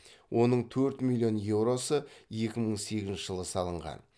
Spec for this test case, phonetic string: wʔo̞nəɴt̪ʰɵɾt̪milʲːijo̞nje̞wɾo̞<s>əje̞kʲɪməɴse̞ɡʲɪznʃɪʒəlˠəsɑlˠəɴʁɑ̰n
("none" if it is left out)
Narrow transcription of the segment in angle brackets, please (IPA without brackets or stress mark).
s